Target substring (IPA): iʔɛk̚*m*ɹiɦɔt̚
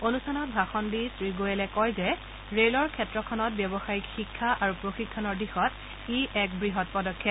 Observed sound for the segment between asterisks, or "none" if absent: b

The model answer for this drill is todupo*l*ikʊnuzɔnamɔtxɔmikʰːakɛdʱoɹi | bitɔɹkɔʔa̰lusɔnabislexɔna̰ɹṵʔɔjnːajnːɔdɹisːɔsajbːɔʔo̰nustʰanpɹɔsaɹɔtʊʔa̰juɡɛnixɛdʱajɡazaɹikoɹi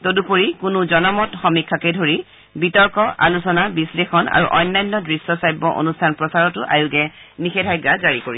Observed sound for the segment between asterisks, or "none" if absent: ɹ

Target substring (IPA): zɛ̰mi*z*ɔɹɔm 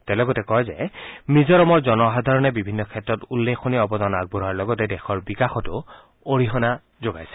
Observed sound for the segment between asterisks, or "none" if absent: z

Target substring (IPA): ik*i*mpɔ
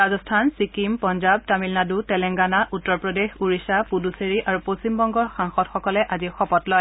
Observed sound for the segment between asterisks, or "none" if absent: i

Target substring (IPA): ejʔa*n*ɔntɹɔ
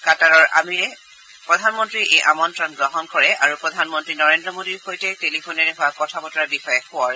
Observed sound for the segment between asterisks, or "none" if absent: m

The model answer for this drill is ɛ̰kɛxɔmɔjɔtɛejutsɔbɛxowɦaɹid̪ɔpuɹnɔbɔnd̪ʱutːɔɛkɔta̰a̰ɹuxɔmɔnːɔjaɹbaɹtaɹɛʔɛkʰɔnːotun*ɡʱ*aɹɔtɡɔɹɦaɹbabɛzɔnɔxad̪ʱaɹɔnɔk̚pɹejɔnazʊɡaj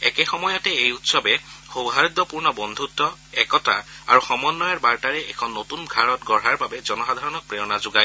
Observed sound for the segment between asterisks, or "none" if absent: ɡʱ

